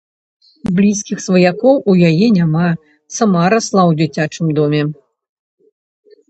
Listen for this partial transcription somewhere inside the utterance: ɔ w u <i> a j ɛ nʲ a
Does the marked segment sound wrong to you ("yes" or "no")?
yes